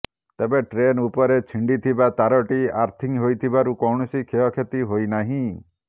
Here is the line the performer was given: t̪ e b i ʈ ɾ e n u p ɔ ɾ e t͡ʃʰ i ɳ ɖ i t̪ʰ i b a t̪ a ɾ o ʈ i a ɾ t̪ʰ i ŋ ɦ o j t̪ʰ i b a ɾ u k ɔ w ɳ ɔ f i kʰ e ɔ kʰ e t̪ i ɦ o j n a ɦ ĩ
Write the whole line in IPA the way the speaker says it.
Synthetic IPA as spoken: t̪ e b e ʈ ɾ e n u p ɔ ɾ e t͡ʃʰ i ɳ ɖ i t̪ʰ i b a t̪ a ɾ ɔ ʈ i a ɾ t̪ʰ i ŋ ɦ o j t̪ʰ i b a ɾ u k ɔ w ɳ ɔ s i kʰ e ɔ kʰ e t̪ i ɦ o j n a ɦ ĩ